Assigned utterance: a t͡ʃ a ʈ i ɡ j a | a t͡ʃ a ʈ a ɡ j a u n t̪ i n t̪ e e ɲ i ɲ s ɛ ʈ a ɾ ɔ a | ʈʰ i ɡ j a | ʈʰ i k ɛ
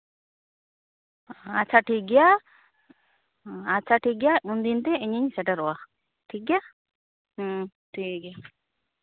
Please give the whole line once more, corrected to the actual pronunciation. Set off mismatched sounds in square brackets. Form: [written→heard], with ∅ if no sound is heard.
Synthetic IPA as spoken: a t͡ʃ a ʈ i ɡ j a | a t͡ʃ a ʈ [a→i] ɡ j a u n [t̪→d̪] i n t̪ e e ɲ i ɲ s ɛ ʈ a ɾ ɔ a | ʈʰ i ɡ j a | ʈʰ i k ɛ